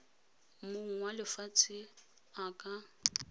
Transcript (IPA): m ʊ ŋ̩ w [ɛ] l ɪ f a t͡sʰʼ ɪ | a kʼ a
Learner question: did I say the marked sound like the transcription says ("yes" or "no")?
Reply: no